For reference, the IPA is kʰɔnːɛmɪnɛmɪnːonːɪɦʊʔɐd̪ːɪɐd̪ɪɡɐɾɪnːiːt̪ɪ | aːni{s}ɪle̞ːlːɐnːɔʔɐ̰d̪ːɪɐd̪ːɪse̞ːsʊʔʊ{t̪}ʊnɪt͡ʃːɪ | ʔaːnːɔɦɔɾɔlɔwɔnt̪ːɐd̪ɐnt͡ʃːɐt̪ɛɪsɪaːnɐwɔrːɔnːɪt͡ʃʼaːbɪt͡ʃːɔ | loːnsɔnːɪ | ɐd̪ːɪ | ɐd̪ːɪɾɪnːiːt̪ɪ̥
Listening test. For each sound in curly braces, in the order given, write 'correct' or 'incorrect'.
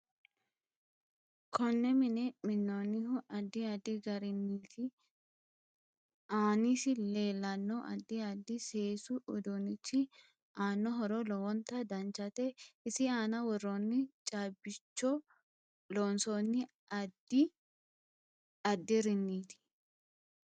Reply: correct, incorrect

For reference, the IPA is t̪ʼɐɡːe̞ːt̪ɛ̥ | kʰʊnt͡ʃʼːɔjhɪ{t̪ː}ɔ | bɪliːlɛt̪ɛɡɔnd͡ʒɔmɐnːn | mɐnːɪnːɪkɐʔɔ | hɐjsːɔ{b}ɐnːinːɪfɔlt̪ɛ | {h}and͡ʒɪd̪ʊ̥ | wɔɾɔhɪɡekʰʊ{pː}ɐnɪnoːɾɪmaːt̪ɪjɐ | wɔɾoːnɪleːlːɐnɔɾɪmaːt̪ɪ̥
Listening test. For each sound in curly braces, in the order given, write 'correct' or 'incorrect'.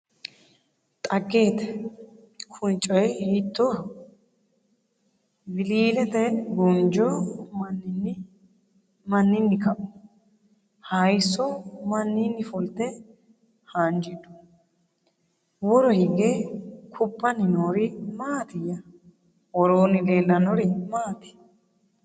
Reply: correct, incorrect, correct, correct

